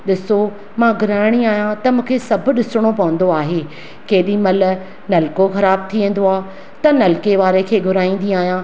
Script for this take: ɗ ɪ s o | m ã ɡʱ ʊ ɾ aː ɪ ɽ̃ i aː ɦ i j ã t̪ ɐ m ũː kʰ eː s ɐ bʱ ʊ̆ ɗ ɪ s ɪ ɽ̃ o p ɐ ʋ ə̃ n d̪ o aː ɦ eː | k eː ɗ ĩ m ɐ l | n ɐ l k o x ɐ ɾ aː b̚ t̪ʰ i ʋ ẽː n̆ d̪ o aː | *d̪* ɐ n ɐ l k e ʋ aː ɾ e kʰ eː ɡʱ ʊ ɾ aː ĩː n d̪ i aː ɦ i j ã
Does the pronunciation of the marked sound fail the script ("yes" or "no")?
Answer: yes